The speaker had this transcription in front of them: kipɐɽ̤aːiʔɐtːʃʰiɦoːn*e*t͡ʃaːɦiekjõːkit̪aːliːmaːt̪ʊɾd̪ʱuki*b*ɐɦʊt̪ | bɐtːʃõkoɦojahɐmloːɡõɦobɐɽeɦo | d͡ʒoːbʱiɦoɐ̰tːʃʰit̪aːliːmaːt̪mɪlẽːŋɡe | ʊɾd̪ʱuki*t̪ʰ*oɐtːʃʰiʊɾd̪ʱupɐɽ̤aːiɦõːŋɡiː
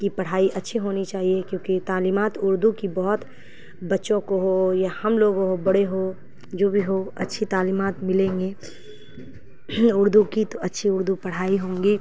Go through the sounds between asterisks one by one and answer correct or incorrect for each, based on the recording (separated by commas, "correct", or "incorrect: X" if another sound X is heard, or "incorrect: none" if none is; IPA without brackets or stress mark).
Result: incorrect: i, correct, incorrect: t̪